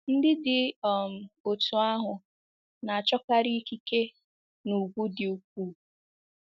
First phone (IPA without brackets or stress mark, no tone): n̩